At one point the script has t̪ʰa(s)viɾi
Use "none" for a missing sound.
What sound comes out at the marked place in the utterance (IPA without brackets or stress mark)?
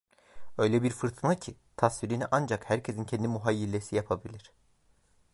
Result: s